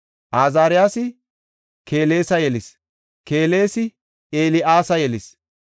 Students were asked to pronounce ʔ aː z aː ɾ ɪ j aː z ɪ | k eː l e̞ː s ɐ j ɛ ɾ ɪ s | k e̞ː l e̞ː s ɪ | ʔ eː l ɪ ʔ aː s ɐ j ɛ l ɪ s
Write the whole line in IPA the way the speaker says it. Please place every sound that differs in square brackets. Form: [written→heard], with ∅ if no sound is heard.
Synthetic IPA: ʔ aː z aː ɾ ɪ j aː [z→s] ɪ | k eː l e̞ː s ɐ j ɛ [ɾ→l] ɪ s | k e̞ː l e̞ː s ɪ | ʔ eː l ɪ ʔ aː s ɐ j ɛ l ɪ s